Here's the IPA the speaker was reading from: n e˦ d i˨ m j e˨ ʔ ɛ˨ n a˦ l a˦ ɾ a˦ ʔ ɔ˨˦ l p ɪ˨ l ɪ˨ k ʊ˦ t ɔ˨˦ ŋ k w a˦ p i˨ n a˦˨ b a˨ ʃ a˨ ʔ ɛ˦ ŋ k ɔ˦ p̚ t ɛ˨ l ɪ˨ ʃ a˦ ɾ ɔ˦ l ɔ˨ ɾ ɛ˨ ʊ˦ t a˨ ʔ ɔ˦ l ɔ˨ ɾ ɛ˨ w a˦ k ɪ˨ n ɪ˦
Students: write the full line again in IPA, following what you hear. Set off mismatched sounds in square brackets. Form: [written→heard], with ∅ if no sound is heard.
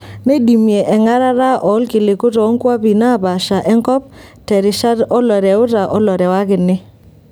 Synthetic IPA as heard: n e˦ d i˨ m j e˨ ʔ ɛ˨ [n→ŋ] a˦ [l→ɾ] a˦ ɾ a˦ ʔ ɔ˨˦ l [p→k] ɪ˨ l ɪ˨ k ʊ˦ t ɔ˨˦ ŋ k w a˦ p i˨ n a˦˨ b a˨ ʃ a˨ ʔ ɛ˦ ŋ k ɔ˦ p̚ t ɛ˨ [l→ɾ] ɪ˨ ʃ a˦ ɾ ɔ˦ l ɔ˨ ɾ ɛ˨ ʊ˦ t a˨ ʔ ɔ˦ l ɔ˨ ɾ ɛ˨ w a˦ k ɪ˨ n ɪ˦